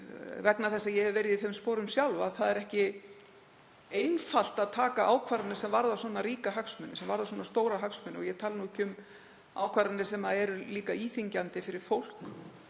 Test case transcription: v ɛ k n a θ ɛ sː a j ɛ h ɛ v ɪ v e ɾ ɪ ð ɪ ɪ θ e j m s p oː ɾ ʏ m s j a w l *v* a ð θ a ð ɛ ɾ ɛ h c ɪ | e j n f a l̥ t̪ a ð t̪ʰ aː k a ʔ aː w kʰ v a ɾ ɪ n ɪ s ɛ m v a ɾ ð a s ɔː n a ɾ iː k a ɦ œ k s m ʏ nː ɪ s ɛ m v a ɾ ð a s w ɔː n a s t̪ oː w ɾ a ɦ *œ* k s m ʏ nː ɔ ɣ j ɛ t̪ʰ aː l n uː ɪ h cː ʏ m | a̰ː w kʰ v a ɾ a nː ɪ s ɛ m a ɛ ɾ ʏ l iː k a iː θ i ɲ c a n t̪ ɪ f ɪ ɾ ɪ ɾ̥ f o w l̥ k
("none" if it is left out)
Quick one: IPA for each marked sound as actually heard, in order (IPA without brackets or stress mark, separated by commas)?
v, œ